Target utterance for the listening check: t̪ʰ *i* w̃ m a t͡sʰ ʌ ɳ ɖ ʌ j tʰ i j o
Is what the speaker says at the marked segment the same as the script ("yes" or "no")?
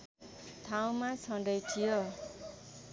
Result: no